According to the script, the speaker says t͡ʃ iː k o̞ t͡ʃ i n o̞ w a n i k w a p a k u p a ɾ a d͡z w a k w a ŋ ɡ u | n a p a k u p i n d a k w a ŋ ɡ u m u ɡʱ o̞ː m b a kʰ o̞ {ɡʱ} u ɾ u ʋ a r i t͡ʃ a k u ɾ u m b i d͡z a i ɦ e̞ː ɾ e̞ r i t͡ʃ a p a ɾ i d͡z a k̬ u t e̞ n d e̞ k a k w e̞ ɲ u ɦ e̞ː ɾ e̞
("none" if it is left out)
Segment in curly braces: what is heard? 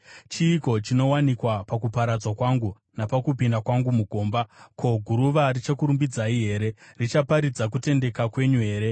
ɡʱ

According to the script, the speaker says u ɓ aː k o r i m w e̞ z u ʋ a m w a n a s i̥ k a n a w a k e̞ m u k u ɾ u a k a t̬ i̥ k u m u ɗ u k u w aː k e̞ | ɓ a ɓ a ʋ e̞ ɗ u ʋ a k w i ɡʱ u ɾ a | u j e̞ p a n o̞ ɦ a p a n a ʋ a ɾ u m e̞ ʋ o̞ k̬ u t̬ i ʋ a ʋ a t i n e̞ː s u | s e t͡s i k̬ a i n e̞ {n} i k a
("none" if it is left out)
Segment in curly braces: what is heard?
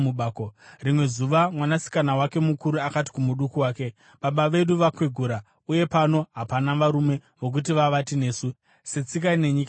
ɲ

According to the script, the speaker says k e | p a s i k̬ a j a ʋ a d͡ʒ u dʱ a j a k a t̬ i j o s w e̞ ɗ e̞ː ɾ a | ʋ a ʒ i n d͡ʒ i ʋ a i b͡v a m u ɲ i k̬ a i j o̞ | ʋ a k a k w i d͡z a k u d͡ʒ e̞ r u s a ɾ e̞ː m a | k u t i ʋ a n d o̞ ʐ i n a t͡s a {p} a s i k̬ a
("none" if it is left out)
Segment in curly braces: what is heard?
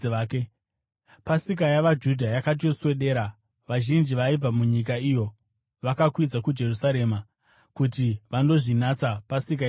p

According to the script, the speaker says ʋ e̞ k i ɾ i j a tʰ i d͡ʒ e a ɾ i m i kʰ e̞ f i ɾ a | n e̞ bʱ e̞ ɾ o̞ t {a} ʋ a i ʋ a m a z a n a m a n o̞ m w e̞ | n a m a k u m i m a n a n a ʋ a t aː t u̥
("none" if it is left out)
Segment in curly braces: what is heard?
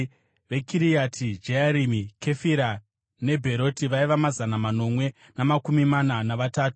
i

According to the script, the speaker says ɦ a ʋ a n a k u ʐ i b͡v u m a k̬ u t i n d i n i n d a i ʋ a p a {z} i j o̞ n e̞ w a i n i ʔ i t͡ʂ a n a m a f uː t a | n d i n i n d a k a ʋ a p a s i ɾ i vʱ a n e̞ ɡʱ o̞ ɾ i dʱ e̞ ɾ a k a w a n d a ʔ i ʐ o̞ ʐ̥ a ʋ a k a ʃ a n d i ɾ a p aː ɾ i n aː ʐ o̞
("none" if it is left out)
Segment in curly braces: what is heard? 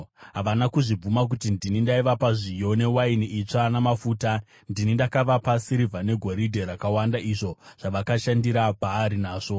ʐ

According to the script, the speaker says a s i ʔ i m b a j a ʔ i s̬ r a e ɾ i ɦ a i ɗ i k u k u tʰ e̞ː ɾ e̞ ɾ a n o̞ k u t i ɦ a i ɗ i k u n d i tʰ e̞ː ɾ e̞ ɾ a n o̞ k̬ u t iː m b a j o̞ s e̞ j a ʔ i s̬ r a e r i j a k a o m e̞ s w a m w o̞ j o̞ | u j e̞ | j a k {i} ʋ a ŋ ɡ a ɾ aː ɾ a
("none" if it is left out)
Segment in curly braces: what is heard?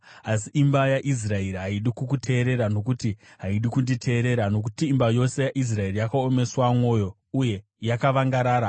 a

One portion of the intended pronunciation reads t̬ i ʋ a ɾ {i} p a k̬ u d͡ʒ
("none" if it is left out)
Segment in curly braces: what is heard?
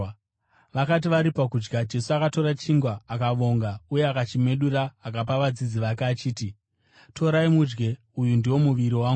i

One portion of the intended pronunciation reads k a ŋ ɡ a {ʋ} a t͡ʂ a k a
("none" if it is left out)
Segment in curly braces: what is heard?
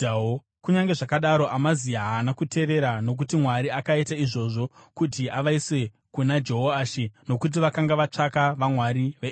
ʋ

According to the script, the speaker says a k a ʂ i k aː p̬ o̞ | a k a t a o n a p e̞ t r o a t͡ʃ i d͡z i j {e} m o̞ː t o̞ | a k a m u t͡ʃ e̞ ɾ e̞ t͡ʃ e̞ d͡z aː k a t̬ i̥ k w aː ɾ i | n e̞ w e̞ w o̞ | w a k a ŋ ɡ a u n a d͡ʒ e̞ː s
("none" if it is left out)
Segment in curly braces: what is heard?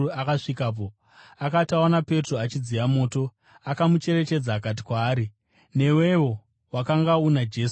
a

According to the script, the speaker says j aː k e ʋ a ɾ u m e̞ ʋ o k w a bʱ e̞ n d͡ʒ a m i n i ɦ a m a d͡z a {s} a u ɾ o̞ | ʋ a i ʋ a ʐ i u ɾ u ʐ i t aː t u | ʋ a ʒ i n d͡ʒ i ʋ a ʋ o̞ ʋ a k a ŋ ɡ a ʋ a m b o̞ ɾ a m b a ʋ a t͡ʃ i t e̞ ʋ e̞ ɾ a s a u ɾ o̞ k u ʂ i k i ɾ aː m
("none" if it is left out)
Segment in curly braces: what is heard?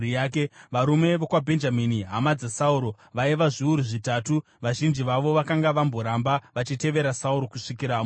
s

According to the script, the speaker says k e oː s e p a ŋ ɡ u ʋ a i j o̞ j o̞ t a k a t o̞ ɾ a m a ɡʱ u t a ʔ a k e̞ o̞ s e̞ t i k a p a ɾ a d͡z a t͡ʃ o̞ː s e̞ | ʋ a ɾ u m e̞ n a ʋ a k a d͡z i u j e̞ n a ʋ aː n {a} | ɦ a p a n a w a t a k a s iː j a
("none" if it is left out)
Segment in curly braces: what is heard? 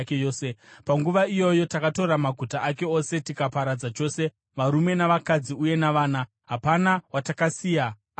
a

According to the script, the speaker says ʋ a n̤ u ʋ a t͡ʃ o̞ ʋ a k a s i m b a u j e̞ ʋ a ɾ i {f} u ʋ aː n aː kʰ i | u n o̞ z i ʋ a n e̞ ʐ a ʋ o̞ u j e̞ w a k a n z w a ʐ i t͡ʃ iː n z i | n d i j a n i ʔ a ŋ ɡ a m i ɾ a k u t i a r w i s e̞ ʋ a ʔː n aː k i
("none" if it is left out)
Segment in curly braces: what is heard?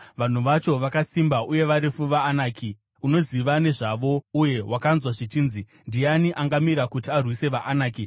f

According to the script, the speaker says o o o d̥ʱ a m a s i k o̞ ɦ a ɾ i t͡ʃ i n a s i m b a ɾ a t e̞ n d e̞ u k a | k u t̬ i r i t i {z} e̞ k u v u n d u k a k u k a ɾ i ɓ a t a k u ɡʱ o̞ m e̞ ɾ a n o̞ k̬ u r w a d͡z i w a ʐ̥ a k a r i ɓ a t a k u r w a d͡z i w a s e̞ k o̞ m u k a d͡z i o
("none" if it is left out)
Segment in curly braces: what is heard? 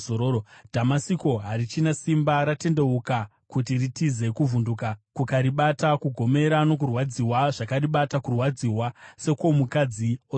z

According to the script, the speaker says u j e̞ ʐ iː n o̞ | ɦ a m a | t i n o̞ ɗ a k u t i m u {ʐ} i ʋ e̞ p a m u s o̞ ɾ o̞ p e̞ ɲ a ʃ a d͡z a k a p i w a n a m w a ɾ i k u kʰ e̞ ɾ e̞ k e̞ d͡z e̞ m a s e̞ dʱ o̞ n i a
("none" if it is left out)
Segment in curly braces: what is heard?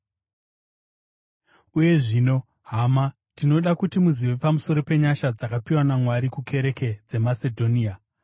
z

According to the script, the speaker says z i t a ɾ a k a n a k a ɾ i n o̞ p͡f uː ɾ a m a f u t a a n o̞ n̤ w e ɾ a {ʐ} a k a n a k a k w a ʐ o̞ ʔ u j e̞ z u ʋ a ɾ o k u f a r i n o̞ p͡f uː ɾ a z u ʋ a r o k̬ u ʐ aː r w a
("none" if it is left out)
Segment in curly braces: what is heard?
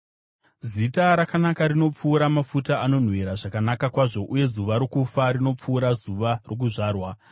ʐ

